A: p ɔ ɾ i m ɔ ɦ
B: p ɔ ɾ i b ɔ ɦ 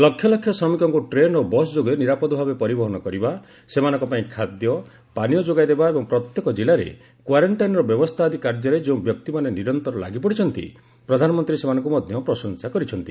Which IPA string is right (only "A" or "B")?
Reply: B